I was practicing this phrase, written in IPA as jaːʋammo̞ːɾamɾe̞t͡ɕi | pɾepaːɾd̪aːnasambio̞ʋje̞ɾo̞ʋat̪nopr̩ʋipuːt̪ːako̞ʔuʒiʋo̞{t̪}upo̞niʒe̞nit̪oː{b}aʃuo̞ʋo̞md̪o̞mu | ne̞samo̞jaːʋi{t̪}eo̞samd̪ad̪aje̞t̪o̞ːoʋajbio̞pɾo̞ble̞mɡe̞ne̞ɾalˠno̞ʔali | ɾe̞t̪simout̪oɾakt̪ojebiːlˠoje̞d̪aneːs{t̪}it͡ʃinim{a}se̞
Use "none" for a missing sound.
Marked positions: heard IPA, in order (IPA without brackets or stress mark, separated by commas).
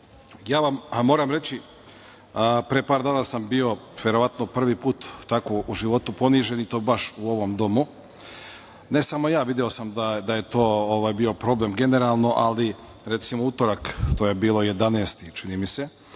t̪, b, d̪, t̪, i